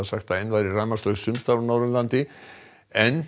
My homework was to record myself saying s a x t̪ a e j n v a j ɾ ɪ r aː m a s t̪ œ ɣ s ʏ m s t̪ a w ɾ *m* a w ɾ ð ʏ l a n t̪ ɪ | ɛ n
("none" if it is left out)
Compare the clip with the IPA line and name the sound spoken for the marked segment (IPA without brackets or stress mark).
n